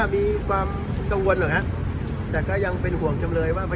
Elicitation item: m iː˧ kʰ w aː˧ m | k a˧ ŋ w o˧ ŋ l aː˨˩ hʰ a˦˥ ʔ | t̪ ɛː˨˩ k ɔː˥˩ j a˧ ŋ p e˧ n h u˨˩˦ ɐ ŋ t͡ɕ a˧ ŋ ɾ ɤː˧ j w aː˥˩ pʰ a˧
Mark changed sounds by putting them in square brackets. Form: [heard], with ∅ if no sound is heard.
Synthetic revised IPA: m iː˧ kʰ w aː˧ m | k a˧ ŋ w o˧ [n] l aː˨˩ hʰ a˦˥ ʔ | t̪ ɛː˨˩ k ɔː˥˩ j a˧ ŋ p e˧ n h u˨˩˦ [ə] ŋ t͡ɕ a˧ [m] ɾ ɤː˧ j w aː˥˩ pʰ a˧